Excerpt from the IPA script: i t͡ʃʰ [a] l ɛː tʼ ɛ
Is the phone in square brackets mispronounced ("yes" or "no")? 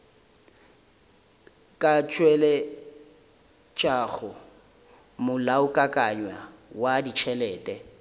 yes